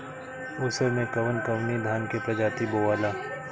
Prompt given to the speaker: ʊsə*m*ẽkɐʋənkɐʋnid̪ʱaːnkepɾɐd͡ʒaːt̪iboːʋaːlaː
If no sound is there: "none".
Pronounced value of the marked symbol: m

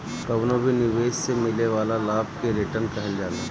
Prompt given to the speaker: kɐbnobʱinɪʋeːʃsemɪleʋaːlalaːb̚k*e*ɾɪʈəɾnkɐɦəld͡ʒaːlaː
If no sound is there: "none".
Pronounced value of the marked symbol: e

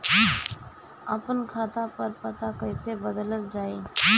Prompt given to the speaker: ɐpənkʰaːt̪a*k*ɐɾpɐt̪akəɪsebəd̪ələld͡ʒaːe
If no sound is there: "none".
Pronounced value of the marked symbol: p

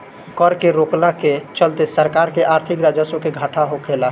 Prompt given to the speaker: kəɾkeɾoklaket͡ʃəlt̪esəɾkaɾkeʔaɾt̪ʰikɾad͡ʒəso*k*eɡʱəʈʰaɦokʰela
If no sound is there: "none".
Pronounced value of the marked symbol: k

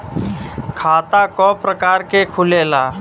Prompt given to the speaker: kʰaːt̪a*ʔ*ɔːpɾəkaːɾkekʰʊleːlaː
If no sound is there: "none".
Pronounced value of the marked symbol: k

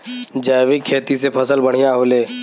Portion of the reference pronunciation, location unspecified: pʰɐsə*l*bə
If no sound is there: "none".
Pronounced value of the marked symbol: l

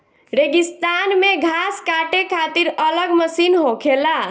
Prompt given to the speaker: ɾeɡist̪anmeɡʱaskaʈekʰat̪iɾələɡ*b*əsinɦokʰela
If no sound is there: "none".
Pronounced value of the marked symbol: m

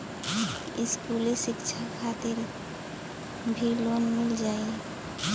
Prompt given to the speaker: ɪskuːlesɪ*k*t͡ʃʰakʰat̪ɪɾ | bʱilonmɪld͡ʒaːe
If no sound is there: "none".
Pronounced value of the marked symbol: k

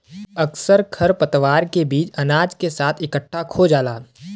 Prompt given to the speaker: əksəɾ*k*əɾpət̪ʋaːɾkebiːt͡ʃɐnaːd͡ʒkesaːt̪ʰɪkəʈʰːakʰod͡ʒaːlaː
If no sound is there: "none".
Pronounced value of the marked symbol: kʰ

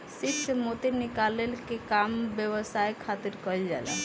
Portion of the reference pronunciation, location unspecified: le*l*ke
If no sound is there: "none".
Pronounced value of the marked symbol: l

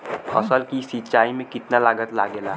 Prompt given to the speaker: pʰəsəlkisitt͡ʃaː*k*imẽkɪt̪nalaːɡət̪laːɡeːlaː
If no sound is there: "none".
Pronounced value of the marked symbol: none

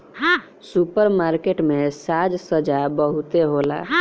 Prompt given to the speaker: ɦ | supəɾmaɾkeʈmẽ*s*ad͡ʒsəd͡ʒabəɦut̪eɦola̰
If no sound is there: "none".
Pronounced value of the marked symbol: s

